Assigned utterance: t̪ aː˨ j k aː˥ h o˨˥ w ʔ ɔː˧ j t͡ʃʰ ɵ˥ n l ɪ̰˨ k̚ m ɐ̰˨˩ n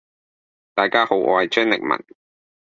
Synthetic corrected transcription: t̪ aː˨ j k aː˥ h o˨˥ w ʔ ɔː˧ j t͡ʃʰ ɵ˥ n l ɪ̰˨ k̚ m ɐ̰˨˩ n